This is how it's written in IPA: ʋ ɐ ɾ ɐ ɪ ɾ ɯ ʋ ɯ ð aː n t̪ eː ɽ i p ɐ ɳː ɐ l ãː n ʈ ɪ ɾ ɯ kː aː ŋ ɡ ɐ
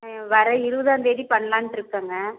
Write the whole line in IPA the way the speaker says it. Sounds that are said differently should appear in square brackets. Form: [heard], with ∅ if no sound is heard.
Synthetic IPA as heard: ʋ ɐ ɾ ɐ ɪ ɾ ɯ ʋ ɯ ð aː n [d̪] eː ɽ i p ɐ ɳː ɐ l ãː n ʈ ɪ ɾ ɯ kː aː ŋ ɡ ɐ